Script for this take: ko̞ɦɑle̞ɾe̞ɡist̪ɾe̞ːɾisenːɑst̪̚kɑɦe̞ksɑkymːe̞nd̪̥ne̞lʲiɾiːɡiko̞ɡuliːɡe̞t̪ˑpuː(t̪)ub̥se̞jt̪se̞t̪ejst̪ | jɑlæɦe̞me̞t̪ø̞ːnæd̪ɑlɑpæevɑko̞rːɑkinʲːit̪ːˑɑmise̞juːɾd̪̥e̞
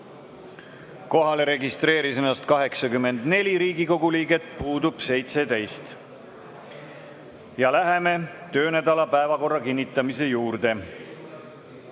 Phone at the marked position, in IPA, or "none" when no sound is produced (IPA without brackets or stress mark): d̪